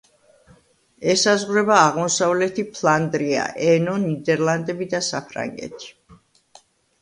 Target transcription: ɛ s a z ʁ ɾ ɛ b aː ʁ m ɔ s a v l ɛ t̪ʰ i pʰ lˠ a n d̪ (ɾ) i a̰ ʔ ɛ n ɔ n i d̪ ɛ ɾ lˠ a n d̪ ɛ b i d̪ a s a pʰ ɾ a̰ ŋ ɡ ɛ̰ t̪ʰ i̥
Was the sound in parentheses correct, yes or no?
yes